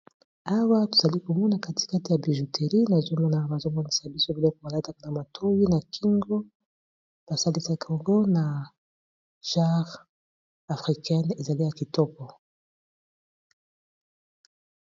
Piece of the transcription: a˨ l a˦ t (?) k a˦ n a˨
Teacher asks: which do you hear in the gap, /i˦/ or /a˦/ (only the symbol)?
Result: a˦